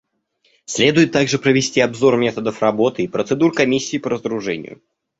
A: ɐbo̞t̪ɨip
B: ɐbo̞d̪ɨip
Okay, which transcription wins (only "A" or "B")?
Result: A